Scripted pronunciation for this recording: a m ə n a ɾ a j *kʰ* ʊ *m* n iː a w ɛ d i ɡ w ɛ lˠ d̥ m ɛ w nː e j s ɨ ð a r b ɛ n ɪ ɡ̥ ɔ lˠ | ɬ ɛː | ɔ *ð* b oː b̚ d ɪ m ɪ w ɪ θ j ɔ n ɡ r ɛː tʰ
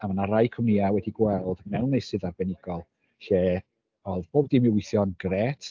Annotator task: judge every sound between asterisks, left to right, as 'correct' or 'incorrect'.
correct, correct, correct

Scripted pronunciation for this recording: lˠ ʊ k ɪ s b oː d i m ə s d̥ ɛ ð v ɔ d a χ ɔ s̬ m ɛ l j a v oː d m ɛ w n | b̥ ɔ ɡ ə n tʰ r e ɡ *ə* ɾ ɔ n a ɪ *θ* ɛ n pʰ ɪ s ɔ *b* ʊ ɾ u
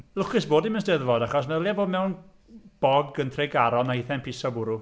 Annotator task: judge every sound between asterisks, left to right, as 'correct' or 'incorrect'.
incorrect: a, correct, correct

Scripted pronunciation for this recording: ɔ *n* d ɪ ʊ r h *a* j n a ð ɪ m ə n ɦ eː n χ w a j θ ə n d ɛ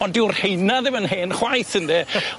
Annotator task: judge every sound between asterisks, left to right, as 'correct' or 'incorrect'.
correct, incorrect: e

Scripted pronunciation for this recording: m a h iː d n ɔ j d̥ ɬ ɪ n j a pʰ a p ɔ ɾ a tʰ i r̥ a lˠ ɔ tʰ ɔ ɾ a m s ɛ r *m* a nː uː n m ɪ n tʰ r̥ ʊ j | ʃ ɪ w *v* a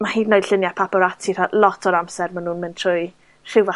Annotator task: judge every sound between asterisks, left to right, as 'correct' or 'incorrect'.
correct, correct

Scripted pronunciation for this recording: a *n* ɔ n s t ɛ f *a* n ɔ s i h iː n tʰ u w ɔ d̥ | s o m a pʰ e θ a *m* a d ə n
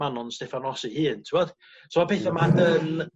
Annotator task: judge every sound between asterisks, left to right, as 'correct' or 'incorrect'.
correct, correct, correct

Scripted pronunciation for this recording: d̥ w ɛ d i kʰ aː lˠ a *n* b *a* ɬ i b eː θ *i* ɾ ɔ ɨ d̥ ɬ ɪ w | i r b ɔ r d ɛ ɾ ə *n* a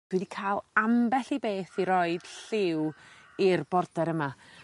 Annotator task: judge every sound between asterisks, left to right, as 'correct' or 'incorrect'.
incorrect: m, incorrect: ɛ, correct, incorrect: m

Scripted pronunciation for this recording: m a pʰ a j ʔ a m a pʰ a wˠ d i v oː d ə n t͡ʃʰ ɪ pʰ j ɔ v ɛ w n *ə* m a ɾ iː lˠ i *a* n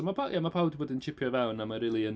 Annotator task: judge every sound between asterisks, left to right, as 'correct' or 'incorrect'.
incorrect: a, incorrect: ə

